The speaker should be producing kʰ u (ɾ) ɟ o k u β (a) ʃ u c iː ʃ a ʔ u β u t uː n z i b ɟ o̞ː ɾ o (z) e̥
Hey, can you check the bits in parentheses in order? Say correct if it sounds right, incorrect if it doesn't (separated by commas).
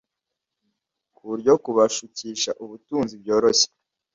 correct, correct, incorrect